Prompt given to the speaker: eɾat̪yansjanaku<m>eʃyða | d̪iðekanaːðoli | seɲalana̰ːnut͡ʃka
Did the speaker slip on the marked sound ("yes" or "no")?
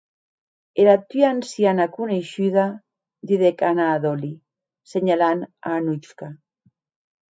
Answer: yes